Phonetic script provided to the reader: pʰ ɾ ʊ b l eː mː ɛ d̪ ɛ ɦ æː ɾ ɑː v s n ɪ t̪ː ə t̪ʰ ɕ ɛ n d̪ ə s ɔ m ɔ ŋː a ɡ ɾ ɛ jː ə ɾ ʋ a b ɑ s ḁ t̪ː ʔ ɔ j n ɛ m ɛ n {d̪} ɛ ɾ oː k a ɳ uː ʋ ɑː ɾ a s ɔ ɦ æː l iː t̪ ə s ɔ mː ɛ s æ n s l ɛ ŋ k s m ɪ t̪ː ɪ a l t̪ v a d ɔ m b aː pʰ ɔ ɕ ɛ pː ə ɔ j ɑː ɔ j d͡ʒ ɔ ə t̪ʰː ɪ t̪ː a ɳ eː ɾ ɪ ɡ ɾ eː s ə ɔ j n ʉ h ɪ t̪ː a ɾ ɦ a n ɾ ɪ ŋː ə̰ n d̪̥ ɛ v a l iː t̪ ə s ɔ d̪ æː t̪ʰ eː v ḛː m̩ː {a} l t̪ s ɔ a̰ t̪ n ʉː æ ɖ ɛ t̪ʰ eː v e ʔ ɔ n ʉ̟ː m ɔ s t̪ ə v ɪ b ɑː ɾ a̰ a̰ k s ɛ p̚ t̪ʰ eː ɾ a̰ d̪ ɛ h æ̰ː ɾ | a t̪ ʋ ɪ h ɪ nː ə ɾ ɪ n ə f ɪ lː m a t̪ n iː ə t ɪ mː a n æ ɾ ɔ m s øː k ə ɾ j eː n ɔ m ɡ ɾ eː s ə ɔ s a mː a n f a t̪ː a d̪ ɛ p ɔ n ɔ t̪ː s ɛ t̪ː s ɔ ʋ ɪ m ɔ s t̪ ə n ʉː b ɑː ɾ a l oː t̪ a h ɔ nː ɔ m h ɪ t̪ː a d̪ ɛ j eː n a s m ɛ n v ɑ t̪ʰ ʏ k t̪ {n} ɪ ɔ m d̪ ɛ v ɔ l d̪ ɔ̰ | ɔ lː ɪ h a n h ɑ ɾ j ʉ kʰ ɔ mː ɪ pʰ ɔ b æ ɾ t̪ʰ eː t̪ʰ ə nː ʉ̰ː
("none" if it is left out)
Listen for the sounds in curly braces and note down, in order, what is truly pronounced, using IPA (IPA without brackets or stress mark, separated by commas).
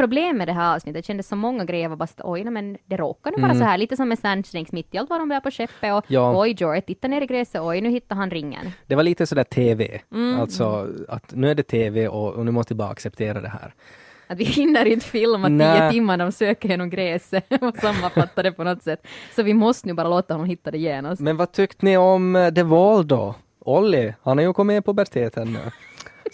d̪, a, n